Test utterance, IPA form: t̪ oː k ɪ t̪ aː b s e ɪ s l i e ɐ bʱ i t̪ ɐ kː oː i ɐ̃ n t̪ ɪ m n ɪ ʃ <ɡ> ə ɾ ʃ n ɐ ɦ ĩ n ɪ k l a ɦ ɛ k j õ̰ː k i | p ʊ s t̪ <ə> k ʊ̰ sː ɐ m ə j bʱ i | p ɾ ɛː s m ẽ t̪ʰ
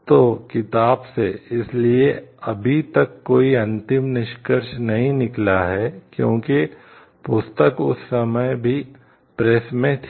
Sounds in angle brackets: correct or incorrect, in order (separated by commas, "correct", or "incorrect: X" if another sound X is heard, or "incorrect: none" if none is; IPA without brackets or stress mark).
incorrect: k, correct